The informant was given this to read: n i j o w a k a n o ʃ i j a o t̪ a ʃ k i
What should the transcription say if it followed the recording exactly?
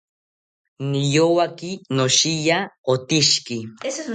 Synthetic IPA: n i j o w a k i n o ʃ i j a o t̪ i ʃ k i